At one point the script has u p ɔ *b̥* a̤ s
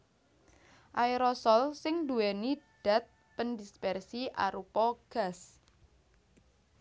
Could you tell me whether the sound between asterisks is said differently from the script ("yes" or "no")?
yes